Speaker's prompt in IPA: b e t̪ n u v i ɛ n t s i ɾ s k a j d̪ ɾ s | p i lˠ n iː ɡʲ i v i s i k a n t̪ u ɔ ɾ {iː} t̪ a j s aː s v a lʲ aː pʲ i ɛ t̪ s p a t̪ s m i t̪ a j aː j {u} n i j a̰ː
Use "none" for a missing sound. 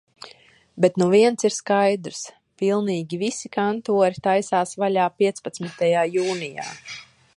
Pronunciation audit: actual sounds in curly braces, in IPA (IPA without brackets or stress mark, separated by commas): i, uː